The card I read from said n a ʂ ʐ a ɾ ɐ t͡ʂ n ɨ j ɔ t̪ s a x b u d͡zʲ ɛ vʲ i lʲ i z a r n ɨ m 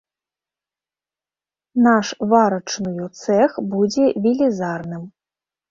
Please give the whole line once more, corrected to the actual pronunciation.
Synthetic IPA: n a ʂ v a ɾ ɐ t͡ʂ n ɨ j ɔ t̪ s ɛ x b u d͡zʲ ɛ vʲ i lʲ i z a r n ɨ m